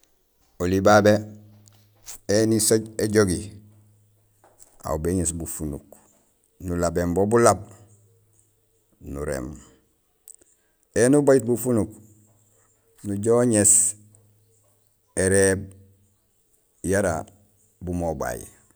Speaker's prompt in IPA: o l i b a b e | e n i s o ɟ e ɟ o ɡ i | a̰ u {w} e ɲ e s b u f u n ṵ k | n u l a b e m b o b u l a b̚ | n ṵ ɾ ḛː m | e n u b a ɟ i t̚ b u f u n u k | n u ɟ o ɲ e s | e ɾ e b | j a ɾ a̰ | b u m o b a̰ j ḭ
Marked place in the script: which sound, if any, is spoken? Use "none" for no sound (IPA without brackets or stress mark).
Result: b